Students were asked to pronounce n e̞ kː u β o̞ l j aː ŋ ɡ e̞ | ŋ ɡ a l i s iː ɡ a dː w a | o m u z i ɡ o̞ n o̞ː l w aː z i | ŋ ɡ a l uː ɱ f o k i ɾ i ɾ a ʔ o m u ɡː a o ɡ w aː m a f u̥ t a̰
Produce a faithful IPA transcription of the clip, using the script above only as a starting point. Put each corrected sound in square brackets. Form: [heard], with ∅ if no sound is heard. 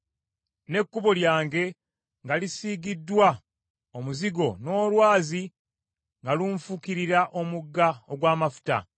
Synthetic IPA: n e̞ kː u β o̞ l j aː ŋ ɡ e̞ | ŋ ɡ a l i s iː ɡ [i] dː w a | o m u z i ɡ o̞ n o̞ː l w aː z i | ŋ ɡ a l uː ɱ f [u] k i ɾ i ɾ a ʔ o m u ɡː a o ɡ w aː m a f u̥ t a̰

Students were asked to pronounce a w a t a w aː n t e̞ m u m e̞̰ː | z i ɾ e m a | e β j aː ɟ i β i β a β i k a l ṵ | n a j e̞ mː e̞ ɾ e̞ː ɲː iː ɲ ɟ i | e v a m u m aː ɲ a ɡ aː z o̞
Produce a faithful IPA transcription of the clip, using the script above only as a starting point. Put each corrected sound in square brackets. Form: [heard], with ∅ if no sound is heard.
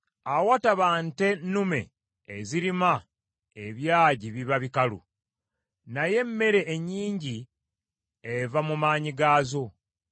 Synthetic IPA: a w a t a [β] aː n t e̞ [n] u m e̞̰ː | z i ɾ [i] m a | e β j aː ɟ i β i β a β i k a l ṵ | n a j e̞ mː e̞ ɾ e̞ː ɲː iː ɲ ɟ i | e v a m u m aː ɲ [i] ɡ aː z o̞

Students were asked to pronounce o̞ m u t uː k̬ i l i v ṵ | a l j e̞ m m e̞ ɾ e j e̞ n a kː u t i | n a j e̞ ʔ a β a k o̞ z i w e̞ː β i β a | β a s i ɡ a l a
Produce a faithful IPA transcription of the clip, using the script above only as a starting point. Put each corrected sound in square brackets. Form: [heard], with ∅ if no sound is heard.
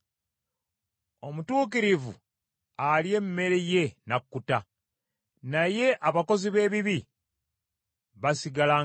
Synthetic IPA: o̞ m u t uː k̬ i [ɾ] i v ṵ | a l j e̞ m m e̞ ɾ e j e̞ n a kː u t [a] | n a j e̞ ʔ a β a k o̞ z i [β] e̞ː β i β [i] | β a s i ɡ a l a

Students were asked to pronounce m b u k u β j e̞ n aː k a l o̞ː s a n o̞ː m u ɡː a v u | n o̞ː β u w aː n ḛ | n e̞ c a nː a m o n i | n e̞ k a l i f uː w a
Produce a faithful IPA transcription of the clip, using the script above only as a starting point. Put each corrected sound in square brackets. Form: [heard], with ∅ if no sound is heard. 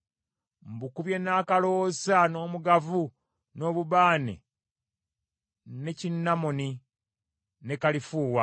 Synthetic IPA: m b u k u β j e̞ n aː k a l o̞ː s a n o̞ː m u [ɡ] a v u | n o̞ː β u [β] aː n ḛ | n e̞ c [i] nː a m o n i | n e̞ k a l i f uː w a

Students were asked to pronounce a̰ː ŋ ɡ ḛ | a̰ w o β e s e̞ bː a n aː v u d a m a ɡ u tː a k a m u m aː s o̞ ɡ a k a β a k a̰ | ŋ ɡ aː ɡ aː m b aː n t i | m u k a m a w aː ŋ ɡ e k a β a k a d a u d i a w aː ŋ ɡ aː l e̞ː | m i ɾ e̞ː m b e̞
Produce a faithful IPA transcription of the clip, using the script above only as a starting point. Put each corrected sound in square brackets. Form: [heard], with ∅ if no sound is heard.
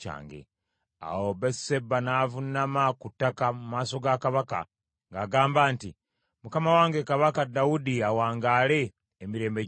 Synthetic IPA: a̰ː ŋ ɡ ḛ | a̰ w o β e s e̞ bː a n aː v u [n] a m a [k] u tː a k a m u m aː s o̞ ɡ a k a β a k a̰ | ŋ ɡ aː ɡ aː m b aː n t i | m u k a m a w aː ŋ ɡ e k a β a k a d a u d i a w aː ŋ ɡ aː l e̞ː | m i ɾ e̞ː m b e̞

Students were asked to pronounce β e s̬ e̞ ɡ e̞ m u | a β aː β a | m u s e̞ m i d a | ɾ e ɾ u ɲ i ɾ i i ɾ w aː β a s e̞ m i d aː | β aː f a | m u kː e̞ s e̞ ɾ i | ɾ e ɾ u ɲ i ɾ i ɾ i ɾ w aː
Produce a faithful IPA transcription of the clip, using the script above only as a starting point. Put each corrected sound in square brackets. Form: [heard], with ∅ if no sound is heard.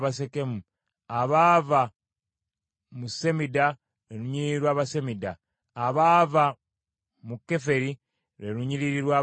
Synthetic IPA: β [a] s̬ e̞ [k] e̞ m u | a β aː [v] a | m u s e̞ m i d a | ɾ e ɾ u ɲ i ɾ i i ɾ w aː β a s e̞ m i d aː | β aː [v] a | m u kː e̞ [f] e̞ ɾ i | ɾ e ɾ u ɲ i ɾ i ɾ i ɾ w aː

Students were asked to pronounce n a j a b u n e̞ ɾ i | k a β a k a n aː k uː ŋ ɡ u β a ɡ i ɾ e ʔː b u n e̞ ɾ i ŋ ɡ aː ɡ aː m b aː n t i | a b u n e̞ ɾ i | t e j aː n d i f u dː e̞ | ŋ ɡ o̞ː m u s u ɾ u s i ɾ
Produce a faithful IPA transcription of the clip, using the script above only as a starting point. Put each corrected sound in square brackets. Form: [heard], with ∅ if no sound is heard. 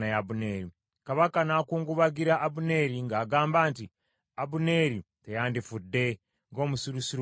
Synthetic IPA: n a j a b u n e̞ ɾ i | k a β a k a n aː k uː ŋ ɡ u β a ɡ i ɾ [a] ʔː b u n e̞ ɾ i ŋ ɡ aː ɡ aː m b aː n t i | a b u n e̞ ɾ i | t e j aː n d i f u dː e̞ | ŋ ɡ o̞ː m u s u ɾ u s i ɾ

